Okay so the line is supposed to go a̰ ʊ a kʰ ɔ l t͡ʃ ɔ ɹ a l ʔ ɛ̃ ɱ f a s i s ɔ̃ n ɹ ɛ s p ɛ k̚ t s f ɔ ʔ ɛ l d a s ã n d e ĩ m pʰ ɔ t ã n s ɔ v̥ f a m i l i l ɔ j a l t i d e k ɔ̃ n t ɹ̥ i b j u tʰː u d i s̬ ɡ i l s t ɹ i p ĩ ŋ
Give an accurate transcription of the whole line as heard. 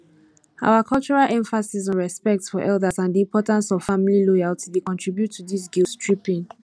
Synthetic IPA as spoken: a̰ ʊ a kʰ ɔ l t͡ʃ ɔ ɹ a l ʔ ɛ̃ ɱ f a s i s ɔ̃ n ɹ ɛ s p ɛ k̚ t s f ɔ ʔ ɛ l d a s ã n d i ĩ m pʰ ɔ t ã n s ɔ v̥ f a m i l i l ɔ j a l t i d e k ɔ̃ n t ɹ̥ i b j u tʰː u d i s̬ ɡ i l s t ɹ i p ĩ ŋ